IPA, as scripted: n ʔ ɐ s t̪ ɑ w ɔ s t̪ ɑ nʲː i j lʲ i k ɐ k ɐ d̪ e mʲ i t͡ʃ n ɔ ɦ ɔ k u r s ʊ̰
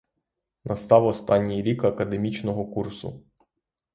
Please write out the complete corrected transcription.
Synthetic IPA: n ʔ ɐ s t̪ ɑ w ɔ s t̪ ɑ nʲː i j ɾʲ i k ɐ k ɐ d̪ e mʲ i t͡ʃ n ɔ ɦ ɔ k u r s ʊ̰